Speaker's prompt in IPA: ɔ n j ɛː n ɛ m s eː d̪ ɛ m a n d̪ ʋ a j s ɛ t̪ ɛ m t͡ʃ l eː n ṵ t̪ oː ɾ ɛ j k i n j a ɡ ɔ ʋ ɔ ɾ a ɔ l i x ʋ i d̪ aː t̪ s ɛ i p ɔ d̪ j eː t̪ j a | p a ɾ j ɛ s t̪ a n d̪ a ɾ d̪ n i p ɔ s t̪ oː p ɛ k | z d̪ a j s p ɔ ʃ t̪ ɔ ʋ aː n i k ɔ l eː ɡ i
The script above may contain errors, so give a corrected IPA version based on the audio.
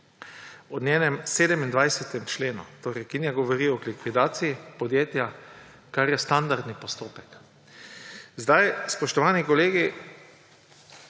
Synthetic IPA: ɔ n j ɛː n ɛ m s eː d̪ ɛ m i n d̪ ʋ a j s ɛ t̪ ɛ m t͡ʃ l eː n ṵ t̪ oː ɾ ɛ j k i n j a ɡ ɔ ʋ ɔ ɾ i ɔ l i k ʋ i d̪ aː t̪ s i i p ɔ d̪ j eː t̪ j a | k a ɾ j ɛ s t̪ a n d̪ a ɾ d̪ n i p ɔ s t̪ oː p ɛ k | z d̪ a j s p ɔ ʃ t̪ ɔ ʋ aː n i k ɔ l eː ɡ i